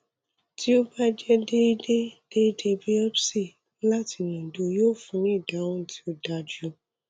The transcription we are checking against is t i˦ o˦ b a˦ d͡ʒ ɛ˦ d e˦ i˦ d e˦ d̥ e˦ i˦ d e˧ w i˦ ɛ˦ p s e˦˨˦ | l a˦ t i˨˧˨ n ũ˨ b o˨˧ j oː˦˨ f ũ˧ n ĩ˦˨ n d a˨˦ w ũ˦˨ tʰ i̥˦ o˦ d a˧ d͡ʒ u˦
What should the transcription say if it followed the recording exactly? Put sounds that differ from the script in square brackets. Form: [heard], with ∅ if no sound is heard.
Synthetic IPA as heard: t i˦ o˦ b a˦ d͡ʒ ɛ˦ d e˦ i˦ d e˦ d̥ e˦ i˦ d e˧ [b] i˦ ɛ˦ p s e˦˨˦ | l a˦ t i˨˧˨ n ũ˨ [d] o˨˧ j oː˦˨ f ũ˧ n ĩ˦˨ [∅] d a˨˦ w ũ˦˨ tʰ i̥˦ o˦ d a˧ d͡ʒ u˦